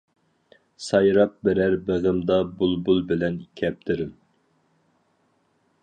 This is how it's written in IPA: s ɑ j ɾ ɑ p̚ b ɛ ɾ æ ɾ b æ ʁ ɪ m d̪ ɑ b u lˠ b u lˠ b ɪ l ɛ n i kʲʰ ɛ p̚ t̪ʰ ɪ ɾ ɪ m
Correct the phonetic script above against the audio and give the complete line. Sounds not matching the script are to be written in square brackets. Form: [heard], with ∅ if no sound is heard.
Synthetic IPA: s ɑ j ɾ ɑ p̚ b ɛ ɾ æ ɾ b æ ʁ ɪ m d̪ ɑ b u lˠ b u lˠ b ɪ l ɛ n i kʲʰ ɛ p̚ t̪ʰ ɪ ɾ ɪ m